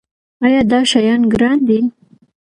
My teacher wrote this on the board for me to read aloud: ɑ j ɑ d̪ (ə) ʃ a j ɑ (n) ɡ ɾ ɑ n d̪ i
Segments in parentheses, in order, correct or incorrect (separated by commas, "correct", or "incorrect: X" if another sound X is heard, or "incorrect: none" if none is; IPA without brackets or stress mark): incorrect: ɑ, correct